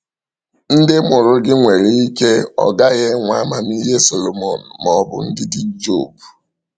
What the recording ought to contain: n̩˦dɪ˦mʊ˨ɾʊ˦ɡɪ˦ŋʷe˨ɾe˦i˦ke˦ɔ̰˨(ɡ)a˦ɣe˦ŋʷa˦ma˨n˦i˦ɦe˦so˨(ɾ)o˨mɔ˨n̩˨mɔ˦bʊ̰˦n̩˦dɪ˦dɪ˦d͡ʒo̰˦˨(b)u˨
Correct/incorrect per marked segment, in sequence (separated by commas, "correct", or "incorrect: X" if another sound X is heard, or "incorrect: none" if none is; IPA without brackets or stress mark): correct, incorrect: l, correct